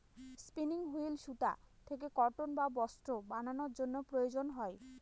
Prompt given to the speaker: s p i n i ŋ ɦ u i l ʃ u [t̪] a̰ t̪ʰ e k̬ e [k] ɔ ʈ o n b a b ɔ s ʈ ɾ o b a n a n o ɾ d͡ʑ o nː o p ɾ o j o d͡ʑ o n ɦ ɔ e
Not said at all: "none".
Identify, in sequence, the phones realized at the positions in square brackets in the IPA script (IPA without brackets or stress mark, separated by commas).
t̪, k